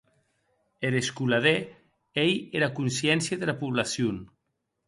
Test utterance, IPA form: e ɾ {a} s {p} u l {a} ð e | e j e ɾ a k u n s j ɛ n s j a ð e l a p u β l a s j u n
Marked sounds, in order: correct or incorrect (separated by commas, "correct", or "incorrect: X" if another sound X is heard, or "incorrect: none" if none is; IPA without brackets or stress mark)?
incorrect: e, incorrect: k, correct